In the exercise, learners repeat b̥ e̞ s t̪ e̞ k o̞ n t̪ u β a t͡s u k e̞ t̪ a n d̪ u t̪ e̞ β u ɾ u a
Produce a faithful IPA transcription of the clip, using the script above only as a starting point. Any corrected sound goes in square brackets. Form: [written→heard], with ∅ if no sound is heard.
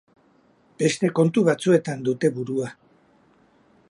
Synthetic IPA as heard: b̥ e̞ s t̪ e̞ k o̞ n t̪ u β a t͡s u [k→∅] e̞ t̪ a n d̪ u t̪ e̞ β u ɾ u a